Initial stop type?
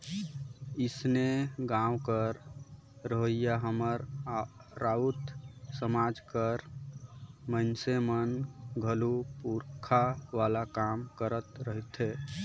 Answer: plain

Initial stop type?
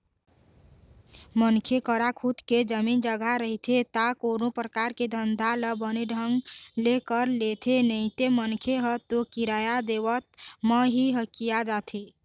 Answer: aspirated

